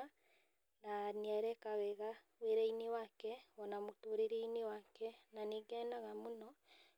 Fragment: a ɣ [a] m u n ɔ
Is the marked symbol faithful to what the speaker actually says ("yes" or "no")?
yes